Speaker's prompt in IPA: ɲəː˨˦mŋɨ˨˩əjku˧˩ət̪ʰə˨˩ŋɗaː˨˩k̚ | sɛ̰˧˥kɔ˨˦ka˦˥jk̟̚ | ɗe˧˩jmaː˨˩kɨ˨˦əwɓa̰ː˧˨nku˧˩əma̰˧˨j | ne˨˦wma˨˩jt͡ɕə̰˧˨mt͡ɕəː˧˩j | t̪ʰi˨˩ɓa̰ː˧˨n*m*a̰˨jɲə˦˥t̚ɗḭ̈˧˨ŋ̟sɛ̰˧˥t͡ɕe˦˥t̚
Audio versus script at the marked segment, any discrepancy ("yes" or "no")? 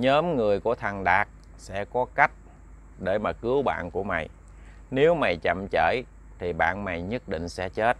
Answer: no